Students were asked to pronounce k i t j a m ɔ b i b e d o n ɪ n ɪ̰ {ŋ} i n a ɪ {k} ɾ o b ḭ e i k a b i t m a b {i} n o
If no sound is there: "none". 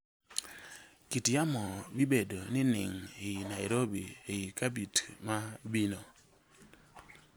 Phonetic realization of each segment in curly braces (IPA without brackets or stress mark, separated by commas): ŋ, none, i